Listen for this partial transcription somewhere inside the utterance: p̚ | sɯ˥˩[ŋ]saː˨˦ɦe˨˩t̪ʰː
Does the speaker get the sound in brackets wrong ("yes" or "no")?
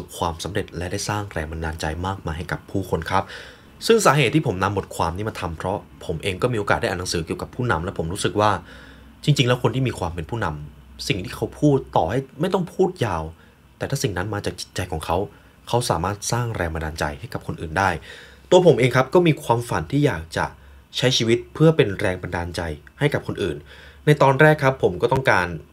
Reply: no